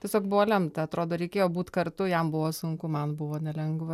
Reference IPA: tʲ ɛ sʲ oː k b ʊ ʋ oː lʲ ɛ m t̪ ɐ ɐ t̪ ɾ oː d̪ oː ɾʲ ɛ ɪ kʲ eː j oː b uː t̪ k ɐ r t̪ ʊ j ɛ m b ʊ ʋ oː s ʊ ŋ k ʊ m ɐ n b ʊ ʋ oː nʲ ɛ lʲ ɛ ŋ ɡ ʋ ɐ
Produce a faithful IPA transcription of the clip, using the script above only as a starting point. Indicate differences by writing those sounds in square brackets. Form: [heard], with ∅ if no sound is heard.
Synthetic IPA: tʲ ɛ sʲ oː k b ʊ ʋ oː lʲ ɛ m t̪ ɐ ɐ t̪ ɾ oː d̪ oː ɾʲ ɛ ɪ kʲ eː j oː b uː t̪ k ɐ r t̪ ʊ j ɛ m b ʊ ʋ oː s ʊ ŋ k ʊ m ɐ n b ʊ ʋ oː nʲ ɛ lʲ ɛ ŋ ɡ ʋ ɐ